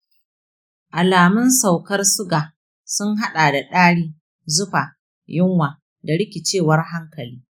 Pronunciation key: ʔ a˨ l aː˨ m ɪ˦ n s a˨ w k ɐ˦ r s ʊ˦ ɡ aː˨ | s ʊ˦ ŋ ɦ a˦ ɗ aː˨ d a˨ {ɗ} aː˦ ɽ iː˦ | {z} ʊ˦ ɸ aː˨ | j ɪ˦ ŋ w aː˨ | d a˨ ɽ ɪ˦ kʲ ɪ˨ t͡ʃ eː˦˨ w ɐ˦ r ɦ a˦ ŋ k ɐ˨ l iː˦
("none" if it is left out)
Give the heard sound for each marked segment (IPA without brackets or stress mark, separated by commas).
ɗ, z